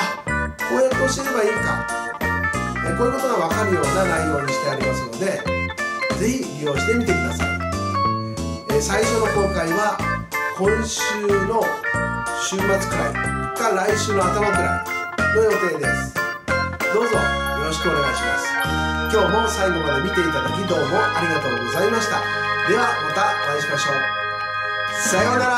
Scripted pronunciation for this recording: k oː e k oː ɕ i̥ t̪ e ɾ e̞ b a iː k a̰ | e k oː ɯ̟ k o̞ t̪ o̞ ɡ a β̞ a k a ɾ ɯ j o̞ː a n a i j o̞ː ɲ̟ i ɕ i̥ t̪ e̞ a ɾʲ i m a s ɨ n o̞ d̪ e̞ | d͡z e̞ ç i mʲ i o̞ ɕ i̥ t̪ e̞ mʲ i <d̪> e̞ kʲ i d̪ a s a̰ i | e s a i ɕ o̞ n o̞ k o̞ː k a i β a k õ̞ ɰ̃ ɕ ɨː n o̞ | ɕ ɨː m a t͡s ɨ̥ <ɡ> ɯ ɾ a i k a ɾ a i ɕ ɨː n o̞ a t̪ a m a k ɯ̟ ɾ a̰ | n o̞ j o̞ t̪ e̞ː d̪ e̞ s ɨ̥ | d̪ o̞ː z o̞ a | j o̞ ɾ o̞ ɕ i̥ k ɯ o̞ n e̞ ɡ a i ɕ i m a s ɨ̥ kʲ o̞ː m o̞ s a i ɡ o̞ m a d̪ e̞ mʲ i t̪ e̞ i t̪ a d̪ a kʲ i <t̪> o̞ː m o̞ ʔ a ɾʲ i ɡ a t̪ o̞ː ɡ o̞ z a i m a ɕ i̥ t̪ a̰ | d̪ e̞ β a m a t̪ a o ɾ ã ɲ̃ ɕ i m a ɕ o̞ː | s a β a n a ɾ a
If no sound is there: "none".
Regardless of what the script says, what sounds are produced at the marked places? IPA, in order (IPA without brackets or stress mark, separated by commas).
t̪, k, d̪